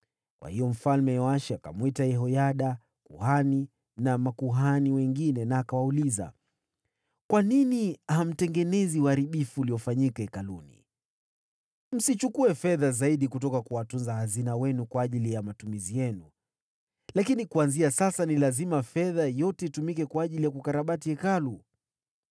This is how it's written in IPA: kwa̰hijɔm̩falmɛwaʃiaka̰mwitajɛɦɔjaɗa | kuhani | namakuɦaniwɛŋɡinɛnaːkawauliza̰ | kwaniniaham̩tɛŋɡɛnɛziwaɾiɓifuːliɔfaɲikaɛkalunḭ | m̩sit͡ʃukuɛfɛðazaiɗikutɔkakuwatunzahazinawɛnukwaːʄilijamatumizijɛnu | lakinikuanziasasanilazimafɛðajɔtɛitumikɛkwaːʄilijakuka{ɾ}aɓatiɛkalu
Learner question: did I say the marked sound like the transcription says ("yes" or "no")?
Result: yes